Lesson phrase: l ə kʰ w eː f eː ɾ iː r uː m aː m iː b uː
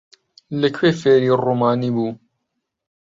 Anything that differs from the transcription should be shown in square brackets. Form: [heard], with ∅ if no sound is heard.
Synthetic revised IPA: l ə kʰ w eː f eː ɾ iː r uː m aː [n] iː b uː